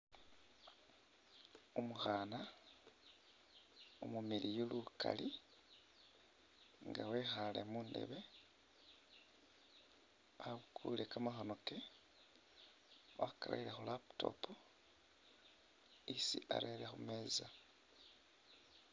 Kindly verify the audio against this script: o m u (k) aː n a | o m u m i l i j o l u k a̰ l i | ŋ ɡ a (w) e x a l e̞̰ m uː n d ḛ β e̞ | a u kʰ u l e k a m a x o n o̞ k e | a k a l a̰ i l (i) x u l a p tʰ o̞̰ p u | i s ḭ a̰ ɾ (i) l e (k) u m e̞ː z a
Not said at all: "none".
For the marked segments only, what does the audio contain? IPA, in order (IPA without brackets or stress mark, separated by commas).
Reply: x, w, e, e, x